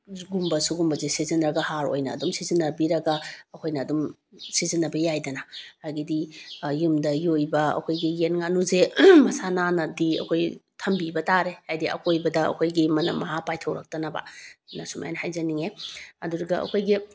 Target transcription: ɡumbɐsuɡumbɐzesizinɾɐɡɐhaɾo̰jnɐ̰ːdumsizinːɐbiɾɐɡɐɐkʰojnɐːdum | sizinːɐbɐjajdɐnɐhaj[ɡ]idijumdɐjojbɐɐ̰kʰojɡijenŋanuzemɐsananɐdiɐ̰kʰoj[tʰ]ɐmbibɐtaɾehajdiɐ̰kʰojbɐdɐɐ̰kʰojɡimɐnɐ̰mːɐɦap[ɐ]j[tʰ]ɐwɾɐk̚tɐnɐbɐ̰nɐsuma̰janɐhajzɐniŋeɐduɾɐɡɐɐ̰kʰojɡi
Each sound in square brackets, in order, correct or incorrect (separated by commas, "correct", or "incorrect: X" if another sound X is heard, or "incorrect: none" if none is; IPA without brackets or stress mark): correct, correct, incorrect: a, correct